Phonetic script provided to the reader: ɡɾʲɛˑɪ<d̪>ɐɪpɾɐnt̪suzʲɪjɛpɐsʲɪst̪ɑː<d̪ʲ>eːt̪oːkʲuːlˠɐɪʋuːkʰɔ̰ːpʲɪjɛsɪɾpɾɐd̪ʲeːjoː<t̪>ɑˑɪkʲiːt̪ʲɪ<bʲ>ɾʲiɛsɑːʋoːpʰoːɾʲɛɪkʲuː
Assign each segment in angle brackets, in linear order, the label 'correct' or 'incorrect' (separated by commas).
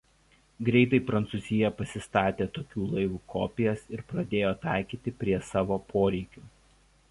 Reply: incorrect, incorrect, correct, incorrect